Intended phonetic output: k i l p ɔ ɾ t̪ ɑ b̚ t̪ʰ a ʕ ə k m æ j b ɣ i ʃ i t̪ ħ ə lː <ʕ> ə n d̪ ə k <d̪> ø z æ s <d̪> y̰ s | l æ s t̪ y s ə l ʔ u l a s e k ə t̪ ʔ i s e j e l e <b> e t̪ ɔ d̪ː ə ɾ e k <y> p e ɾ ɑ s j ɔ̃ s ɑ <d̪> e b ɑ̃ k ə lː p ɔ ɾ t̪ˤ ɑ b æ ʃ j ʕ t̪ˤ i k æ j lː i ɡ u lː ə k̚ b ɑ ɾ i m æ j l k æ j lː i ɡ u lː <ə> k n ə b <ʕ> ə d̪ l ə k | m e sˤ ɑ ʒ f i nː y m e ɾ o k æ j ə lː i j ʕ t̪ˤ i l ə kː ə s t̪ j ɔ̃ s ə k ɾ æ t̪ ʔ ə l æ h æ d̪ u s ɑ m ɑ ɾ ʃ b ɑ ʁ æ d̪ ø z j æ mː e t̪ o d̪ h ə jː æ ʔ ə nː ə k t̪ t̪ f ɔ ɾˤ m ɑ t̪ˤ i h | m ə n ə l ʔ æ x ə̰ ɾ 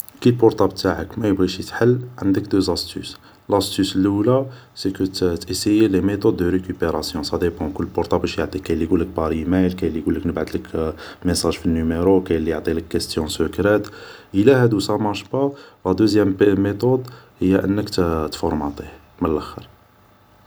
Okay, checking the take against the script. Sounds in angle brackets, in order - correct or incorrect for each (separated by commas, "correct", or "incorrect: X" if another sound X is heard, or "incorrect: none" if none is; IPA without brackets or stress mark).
correct, correct, incorrect: t̪, incorrect: m, correct, correct, correct, correct